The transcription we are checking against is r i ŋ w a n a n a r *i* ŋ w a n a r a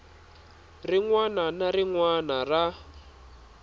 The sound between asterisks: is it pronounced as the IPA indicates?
yes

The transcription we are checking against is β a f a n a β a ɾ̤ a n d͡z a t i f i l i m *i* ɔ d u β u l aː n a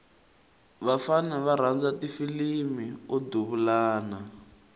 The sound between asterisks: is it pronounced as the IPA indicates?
yes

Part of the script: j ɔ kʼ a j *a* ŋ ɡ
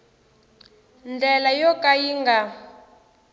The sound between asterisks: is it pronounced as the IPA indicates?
no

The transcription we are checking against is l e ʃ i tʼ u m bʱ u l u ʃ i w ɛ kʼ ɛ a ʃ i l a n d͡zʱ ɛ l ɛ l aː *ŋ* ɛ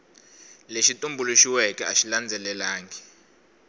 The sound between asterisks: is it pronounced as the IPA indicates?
yes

